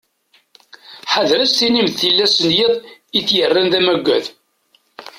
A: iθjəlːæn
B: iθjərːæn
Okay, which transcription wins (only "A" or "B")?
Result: B